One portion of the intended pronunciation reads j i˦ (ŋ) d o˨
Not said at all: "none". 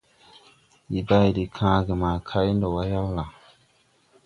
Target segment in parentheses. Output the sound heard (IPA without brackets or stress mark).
n